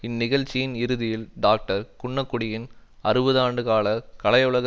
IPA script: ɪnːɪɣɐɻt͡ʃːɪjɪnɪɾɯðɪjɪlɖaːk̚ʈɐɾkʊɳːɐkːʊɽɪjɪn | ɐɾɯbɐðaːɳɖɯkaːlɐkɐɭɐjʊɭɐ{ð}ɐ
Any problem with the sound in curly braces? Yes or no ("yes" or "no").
yes